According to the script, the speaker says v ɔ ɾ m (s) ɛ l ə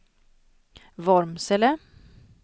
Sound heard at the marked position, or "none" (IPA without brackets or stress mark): s